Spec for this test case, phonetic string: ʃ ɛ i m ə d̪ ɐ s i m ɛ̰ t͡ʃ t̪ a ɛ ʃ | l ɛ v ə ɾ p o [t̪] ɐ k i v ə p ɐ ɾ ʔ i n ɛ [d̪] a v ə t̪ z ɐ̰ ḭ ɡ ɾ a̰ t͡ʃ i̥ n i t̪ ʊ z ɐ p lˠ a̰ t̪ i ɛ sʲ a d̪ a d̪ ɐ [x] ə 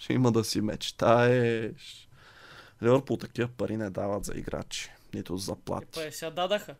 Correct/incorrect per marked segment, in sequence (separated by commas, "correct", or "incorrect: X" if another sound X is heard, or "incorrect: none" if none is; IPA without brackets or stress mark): correct, correct, correct